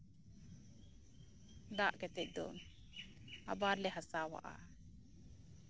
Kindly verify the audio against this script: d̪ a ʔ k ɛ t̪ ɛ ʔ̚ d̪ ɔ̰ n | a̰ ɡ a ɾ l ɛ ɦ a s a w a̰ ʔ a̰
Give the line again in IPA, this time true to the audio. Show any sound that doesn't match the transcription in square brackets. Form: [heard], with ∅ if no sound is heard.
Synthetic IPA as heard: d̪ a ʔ k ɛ t̪ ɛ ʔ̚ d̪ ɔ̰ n | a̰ [b] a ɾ l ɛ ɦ a s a w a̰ ʔ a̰